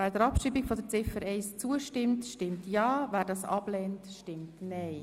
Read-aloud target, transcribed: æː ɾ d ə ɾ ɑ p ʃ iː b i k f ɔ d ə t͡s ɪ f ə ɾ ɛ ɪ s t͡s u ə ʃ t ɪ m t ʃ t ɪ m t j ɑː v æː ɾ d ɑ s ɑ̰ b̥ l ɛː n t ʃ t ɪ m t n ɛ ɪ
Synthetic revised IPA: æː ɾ d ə ɾ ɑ p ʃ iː b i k f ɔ d ə t͡s ɪ f ə ɾ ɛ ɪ s t͡s u ə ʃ t ɪ m t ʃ t ɪ m t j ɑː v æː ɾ d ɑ s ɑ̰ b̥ l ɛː n t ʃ t ɪ m t n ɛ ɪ